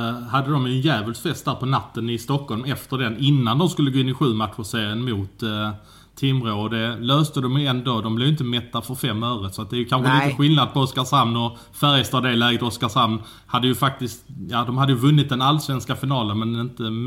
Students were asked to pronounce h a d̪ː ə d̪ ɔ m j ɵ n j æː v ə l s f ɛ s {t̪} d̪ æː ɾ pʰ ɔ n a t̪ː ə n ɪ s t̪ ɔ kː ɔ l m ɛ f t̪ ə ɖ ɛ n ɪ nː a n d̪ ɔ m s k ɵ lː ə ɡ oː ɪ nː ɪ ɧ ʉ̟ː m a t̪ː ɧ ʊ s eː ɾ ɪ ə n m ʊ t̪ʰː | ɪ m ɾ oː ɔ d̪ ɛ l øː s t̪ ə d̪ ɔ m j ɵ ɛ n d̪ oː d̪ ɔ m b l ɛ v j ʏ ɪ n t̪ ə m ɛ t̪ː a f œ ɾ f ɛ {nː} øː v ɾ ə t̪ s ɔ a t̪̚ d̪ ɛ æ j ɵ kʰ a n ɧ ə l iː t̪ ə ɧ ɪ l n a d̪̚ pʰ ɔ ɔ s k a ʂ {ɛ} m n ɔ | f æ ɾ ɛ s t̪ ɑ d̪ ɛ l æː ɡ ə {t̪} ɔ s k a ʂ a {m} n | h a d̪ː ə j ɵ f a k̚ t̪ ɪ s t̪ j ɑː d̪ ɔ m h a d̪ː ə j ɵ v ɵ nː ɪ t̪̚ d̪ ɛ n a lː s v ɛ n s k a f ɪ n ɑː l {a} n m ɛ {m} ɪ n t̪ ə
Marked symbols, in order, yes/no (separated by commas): yes, no, no, yes, yes, no, no